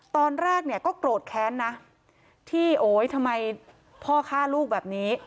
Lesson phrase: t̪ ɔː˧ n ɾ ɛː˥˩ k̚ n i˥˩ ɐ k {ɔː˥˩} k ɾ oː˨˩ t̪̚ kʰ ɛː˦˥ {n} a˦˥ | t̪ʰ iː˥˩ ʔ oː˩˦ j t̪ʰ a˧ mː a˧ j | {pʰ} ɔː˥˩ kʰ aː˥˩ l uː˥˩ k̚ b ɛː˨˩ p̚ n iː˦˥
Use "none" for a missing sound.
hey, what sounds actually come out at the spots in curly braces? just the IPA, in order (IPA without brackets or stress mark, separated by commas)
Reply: ɔː˥˩, nː, pʰ